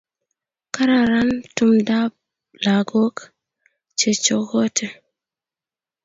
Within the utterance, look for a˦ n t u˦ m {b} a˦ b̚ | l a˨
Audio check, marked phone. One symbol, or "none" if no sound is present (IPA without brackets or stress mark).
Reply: d